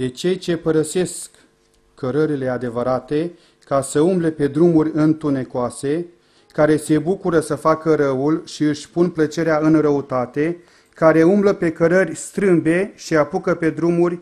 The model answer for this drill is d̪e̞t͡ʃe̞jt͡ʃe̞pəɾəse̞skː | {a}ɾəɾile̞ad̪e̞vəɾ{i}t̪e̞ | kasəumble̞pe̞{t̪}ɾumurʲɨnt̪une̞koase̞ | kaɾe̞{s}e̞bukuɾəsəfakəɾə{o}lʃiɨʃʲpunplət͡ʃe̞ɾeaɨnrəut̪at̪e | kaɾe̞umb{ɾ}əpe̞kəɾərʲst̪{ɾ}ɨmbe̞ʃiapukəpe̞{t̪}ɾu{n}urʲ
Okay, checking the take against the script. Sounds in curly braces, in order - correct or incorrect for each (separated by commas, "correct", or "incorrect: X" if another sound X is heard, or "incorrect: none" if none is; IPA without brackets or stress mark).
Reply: incorrect: ə, incorrect: a, incorrect: d̪, correct, incorrect: u, incorrect: l, correct, incorrect: d̪, incorrect: m